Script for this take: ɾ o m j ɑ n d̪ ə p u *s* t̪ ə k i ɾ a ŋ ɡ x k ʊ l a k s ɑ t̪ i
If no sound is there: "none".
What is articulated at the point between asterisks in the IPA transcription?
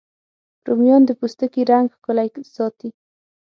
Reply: s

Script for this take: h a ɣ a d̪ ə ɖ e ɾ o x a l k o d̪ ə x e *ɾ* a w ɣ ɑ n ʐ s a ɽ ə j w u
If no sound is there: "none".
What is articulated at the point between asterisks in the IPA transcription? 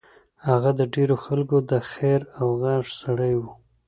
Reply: ɾ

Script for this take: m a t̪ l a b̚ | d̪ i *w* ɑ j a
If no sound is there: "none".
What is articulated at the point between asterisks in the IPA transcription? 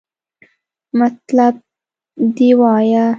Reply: w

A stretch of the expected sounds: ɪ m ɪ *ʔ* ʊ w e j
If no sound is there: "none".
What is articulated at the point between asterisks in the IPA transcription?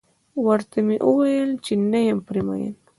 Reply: ʔ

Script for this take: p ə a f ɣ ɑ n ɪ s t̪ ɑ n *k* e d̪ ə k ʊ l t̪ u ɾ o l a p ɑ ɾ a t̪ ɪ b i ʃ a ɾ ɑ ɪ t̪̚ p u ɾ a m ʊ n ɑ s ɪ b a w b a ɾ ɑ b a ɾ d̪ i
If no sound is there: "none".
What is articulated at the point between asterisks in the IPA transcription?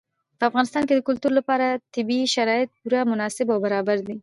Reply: k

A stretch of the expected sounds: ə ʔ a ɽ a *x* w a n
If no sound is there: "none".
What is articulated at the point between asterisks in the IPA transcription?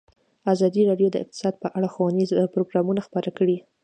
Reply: x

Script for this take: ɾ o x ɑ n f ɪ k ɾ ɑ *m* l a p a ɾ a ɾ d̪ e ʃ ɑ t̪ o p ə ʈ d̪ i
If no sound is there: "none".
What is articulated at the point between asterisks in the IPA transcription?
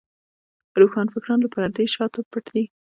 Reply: n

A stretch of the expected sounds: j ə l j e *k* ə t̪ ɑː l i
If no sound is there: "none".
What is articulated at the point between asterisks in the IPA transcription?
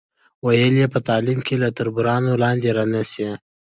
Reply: p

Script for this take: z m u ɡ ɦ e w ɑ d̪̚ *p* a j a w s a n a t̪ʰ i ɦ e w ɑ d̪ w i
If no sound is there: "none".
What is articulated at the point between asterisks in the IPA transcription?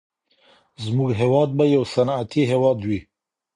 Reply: b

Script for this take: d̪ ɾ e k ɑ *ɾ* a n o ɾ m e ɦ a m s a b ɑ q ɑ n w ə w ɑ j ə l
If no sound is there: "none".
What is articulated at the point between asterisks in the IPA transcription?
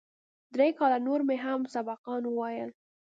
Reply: l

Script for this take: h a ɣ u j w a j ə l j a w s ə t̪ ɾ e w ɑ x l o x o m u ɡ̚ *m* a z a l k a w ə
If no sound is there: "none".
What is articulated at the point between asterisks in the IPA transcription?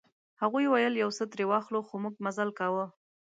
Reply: m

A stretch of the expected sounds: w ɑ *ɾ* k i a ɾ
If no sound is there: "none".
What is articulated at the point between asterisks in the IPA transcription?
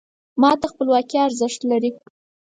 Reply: none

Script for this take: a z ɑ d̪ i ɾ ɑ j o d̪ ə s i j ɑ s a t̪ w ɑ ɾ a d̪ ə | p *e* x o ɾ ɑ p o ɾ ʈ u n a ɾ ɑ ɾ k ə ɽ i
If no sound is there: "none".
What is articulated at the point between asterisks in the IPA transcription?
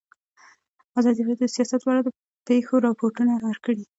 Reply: e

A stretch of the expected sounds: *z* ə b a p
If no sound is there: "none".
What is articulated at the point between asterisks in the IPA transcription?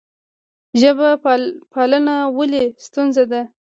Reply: ʒ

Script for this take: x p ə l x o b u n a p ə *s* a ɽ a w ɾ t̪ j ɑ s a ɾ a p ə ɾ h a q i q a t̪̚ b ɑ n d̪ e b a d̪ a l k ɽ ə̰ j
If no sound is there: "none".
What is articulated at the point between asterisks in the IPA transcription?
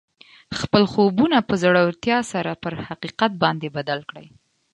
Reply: z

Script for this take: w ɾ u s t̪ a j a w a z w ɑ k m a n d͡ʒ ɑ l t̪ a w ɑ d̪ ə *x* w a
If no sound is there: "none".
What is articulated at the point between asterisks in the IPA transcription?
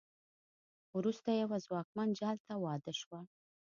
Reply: ʃ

